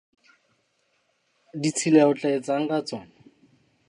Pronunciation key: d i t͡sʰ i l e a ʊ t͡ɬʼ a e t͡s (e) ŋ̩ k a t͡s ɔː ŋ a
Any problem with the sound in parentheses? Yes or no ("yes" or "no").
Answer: yes